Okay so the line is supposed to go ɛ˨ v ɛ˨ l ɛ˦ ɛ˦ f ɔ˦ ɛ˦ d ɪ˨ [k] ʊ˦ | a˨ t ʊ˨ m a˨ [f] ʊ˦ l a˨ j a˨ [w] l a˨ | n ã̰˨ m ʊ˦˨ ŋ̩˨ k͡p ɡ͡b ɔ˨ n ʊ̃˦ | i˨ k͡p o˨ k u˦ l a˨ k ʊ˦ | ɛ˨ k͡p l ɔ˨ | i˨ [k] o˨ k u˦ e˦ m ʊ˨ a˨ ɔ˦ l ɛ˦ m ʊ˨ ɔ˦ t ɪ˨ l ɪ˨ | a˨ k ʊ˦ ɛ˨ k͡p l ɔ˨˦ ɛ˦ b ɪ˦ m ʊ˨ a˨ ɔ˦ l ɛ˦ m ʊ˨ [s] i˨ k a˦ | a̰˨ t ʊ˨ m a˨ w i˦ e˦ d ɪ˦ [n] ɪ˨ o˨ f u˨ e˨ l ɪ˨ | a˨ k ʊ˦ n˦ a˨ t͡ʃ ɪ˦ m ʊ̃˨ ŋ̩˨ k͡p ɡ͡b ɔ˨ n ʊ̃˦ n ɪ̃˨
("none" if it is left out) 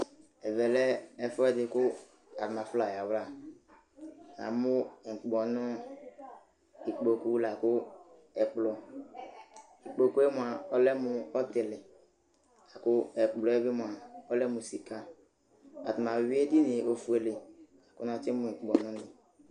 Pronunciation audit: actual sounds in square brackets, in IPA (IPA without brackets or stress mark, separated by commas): k, f, w, k͡p, s, n